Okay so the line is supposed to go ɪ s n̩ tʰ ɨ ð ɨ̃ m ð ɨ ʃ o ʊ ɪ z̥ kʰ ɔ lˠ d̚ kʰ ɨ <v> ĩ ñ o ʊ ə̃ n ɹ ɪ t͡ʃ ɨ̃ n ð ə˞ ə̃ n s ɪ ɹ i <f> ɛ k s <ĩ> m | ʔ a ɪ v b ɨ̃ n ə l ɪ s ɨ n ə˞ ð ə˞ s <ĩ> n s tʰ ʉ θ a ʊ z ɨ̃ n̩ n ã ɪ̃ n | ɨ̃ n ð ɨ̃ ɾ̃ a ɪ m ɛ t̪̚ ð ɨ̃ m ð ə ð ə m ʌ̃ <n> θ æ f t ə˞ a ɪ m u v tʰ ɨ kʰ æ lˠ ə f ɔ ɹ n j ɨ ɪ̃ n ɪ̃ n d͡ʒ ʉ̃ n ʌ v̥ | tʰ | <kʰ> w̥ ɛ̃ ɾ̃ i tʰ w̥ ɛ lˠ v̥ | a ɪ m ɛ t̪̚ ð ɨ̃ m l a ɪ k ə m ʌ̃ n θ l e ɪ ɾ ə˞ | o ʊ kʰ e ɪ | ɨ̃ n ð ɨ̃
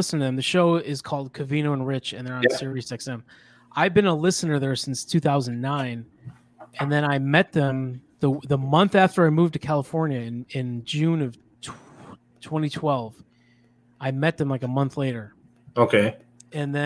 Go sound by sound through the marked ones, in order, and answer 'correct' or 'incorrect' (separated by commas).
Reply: correct, incorrect, incorrect, incorrect, correct, incorrect